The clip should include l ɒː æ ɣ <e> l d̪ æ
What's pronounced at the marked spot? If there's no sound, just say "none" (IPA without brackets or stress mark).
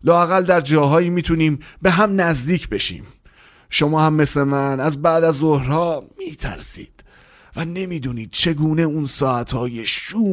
æ